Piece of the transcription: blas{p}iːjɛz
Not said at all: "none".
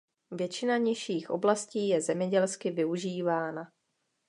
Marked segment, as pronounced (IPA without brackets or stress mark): c